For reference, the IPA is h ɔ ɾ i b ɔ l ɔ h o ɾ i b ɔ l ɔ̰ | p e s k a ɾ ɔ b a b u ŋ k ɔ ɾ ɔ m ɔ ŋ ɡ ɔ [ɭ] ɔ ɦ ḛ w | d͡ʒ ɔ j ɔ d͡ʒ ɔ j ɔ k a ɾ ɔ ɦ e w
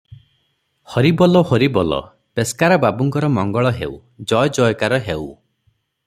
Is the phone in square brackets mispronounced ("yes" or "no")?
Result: no